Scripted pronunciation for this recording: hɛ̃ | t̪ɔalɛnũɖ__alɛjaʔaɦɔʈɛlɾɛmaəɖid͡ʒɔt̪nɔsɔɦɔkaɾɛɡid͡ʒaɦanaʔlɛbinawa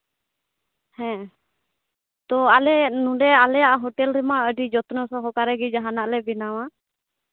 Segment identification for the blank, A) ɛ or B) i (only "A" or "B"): A